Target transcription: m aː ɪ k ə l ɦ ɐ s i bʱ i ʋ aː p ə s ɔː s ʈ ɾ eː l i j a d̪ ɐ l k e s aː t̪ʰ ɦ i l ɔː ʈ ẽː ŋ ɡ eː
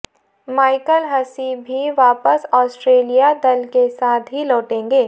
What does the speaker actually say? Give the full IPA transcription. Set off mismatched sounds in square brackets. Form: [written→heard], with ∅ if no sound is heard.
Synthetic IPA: m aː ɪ k ə l ɦ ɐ s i bʱ i ʋ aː p ə s ɔː s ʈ ɾ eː l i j a d̪ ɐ l k e s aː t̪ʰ ɦ i l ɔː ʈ ẽː ŋ ɡ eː